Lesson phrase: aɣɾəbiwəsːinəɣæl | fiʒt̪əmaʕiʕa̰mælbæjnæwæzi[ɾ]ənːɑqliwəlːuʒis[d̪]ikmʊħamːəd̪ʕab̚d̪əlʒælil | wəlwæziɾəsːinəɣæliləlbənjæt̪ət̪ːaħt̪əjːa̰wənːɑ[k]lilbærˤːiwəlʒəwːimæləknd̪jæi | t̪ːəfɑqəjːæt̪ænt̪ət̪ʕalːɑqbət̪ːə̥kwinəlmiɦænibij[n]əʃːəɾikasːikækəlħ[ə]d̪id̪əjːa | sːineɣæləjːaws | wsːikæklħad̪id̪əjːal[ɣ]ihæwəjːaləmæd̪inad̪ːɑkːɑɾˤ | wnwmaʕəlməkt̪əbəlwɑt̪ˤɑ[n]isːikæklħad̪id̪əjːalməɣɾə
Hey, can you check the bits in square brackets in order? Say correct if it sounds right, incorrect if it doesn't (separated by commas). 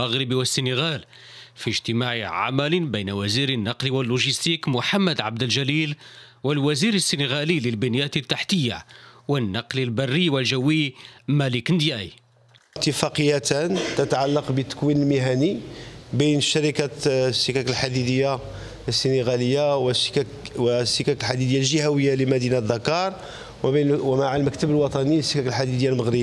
correct, incorrect, incorrect, correct, incorrect, incorrect, correct